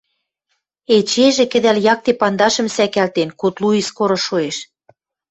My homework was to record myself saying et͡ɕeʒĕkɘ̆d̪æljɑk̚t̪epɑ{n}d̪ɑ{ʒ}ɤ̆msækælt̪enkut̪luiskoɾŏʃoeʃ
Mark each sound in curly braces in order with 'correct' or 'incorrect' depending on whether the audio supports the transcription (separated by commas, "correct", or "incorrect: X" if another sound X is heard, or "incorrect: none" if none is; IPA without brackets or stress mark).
correct, incorrect: ʃ